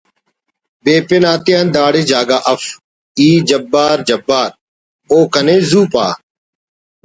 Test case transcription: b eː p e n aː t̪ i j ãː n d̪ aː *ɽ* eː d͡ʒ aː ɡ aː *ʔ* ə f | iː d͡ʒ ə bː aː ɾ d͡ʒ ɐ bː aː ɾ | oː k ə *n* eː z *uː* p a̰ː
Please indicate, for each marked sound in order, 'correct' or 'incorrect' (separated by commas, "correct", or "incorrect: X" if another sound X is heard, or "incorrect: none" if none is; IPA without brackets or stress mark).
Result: correct, correct, correct, correct